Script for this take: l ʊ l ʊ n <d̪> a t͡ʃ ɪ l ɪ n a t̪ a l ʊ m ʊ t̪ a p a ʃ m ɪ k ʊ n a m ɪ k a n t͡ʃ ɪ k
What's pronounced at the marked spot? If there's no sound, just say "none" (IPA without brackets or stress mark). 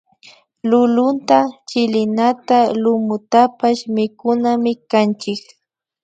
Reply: t̪